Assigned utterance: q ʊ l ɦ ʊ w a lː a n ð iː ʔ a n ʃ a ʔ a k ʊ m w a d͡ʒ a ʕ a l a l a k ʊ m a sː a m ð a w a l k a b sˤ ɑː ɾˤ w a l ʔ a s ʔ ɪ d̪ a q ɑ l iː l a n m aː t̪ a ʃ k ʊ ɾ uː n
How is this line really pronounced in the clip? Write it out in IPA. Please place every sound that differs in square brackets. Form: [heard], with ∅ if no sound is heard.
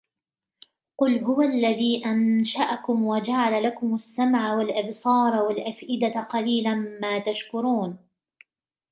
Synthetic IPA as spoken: q ʊ l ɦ ʊ w a lː a [∅] ð iː ʔ a n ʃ a ʔ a k ʊ m w a d͡ʒ a ʕ a l a l a k ʊ m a sː a m [ʕ] a w a l [ʔ] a b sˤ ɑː ɾˤ w a l ʔ a [f] ʔ ɪ d̪ a q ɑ l iː l a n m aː t̪ a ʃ k ʊ ɾ uː n